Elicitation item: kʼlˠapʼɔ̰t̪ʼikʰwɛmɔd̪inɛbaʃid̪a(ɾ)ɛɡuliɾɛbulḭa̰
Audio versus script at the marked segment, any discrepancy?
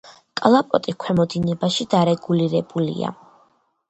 no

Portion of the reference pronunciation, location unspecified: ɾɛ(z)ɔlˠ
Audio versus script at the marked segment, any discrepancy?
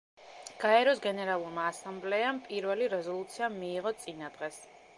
no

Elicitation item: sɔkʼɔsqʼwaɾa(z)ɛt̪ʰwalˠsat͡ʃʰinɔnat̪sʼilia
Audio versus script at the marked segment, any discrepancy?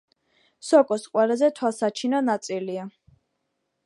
no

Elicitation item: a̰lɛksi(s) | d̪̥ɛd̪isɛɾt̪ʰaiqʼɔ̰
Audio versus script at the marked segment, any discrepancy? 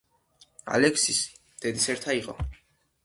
no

